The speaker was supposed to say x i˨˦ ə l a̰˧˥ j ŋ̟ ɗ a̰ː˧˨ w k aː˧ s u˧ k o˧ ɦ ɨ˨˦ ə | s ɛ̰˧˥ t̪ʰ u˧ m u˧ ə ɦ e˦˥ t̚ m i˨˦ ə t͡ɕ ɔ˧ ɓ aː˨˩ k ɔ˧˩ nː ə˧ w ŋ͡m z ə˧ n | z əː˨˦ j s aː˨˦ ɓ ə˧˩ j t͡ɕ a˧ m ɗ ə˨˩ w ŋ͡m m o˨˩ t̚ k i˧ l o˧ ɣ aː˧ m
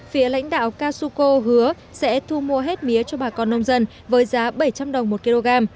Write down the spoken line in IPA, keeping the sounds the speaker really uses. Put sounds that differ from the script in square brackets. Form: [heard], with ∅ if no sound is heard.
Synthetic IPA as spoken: [f] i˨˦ ə l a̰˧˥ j ŋ̟ ɗ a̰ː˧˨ w k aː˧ s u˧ k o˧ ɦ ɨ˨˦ ə | s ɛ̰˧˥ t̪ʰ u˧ m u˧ ə ɦ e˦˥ t̚ m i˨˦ ə t͡ɕ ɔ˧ ɓ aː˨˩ k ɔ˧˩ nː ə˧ w ŋ͡m z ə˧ n | [v] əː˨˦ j [z] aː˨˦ ɓ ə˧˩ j t͡ɕ a˧ m ɗ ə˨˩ w ŋ͡m m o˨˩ t̚ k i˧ l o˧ ɣ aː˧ m